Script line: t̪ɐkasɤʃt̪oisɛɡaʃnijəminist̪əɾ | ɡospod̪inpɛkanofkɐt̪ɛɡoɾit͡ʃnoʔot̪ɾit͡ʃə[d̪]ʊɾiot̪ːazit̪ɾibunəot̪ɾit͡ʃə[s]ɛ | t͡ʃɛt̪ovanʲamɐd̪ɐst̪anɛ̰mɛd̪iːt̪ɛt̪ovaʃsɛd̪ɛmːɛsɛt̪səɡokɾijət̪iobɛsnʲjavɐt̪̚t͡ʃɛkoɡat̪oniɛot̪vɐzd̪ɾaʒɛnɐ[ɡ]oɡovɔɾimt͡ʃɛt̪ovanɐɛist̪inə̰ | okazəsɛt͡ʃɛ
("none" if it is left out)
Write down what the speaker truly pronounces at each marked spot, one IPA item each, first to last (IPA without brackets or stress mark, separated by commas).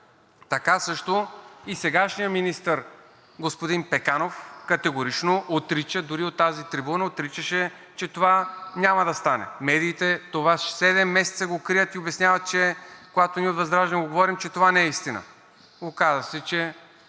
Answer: d̪, ʃ, ɡ